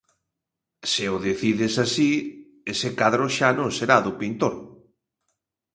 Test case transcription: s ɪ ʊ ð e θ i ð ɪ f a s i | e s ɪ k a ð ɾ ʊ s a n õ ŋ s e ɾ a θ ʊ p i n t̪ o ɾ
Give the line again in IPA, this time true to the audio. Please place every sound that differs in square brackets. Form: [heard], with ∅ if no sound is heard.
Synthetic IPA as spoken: s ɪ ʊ ð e θ i ð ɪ [s] a s i | e s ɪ k a ð ɾ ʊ [ʃ] a n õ ŋ s e ɾ a [ð] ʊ p i n t̪ o ɾ